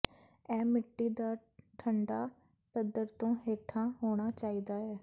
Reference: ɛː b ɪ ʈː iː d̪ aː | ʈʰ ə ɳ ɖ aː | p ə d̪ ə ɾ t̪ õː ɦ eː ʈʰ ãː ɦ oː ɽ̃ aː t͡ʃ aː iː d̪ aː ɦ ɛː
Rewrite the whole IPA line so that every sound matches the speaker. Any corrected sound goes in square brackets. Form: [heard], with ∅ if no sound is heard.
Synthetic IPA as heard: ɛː [m] ɪ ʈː iː d̪ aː | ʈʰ ə ɳ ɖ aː | p ə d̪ ə ɾ t̪ õː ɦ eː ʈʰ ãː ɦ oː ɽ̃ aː t͡ʃ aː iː d̪ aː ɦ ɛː